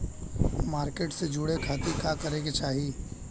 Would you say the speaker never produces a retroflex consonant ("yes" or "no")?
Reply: no